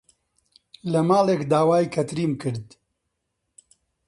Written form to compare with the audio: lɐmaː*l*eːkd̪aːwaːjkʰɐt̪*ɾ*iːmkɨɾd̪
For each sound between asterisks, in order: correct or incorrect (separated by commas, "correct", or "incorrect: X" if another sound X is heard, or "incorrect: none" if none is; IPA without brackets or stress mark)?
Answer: correct, correct